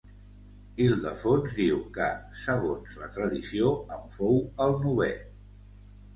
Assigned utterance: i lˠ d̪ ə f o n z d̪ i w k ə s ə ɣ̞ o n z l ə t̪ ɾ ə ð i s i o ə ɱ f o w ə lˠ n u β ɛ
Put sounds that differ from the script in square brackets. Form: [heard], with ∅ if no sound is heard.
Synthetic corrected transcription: i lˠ d̪ ə f o n z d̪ i w k ə s ə ɣ̞ o n z l ə t̪ ɾ ə ð i s i o ə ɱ f o w ə lˠ n u β ɛ